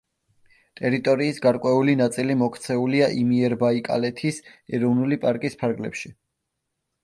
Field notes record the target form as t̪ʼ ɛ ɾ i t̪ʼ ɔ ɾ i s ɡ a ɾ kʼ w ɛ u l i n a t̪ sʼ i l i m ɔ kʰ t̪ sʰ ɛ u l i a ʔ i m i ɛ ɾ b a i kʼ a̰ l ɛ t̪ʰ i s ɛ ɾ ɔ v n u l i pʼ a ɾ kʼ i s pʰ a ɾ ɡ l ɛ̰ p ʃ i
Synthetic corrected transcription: t̪ʼ ɛ ɾ i t̪ʼ ɔ ɾ iː s ɡ a ɾ kʼ w ɛ u l i n a t̪ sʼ i l i m ɔ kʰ t̪ sʰ ɛ u l i a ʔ i m i ɛ ɾ b a i kʼ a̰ l ɛ t̪ʰ i s ɛ ɾ ɔ v n u l i pʼ a ɾ kʼ i s pʰ a ɾ ɡ l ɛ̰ p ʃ i